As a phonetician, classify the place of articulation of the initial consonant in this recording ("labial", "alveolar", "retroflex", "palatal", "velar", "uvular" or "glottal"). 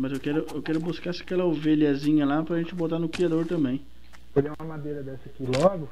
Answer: labial